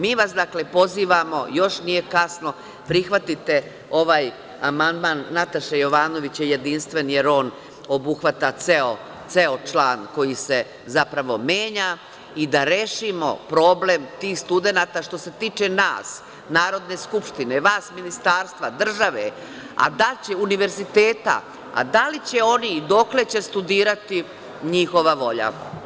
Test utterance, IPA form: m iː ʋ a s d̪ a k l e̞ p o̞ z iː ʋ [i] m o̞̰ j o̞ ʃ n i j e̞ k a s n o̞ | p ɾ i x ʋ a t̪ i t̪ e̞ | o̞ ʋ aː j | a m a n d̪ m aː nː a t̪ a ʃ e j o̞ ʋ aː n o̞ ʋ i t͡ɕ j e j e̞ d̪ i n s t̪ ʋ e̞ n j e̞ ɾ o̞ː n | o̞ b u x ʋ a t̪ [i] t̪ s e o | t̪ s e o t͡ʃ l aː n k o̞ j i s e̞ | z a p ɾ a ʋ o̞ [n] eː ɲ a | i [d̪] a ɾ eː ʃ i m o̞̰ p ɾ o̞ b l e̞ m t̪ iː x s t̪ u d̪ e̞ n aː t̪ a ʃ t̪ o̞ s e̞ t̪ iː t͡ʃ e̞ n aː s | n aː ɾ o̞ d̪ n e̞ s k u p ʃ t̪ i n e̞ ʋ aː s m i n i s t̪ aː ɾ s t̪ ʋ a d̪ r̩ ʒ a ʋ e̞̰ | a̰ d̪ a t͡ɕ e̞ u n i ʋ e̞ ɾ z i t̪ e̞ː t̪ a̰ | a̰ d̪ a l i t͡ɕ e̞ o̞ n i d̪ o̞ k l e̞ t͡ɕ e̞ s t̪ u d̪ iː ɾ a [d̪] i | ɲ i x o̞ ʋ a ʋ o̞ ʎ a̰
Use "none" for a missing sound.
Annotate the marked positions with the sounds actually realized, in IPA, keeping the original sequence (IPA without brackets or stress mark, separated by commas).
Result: a, a, m, d̪, t̪